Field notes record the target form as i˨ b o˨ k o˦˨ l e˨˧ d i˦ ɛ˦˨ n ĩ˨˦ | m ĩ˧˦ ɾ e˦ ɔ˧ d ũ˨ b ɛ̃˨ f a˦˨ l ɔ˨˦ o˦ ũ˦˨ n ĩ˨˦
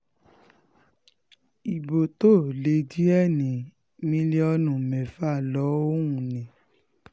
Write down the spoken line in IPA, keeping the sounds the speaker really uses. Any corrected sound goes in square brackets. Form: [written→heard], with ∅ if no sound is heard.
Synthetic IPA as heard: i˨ b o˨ [k→t] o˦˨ l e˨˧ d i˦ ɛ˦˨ n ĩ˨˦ | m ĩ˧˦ [ɾ→l] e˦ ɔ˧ [d→n] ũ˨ [b→m] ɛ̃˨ f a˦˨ l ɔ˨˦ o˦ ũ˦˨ n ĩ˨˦